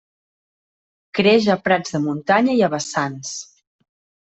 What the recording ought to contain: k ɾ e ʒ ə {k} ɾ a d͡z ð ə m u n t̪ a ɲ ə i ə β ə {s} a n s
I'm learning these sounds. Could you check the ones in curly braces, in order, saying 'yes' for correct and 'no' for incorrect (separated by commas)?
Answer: no, yes